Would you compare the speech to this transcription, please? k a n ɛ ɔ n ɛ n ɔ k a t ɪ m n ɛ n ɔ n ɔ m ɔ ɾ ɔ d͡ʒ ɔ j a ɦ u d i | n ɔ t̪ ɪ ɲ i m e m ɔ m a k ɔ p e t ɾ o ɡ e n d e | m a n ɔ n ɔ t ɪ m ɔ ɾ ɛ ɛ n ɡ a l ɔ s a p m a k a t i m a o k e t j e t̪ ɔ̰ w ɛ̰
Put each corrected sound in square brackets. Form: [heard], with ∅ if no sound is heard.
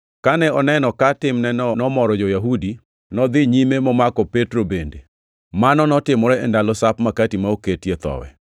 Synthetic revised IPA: k a n ɛ ɔ n ɛ n ɔ k a t ɪ m n ɛ n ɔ n ɔ m ɔ ɾ ɔ d͡ʒ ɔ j a ɦ u d i | n ɔ [d̪] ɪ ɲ i m e m ɔ m a k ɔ p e t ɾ o [b] e n d e | m a n ɔ n ɔ t ɪ m ɔ ɾ ɛ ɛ n [d] a l ɔ s a p m a k a t i m a o k e t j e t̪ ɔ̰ w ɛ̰